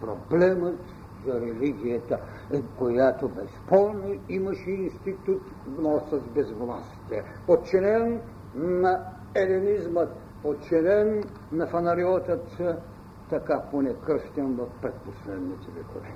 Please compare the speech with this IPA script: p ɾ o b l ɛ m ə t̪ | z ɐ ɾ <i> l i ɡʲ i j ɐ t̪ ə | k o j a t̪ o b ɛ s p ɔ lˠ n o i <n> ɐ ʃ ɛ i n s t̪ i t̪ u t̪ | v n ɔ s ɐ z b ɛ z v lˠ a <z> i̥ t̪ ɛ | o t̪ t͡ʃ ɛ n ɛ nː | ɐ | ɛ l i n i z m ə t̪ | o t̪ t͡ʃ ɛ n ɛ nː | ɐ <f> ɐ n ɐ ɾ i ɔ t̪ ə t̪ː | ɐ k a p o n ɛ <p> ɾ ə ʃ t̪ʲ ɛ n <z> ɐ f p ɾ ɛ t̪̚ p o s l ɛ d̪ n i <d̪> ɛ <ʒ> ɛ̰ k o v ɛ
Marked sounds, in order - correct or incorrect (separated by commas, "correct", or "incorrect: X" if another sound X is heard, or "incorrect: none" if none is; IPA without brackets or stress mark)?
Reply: incorrect: ɛ, incorrect: m, incorrect: s, correct, incorrect: k, incorrect: v, incorrect: t̪, incorrect: v